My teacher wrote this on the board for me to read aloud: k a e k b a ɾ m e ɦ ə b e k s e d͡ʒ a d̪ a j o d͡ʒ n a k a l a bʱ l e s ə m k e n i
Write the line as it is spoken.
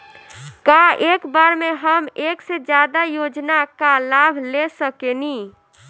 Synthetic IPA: k a e k b a ɾ m e ɦ ə m e k s e d͡ʒ a d̪ a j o d͡ʒ n a k a l a bʱ l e s ə k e n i